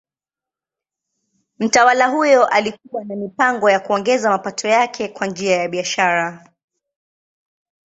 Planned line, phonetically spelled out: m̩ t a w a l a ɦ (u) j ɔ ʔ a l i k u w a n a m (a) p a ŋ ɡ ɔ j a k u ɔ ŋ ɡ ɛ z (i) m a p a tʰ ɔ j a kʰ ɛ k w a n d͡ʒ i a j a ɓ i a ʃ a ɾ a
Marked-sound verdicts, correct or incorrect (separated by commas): correct, incorrect, incorrect